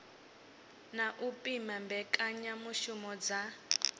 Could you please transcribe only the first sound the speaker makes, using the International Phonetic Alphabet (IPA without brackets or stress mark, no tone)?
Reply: n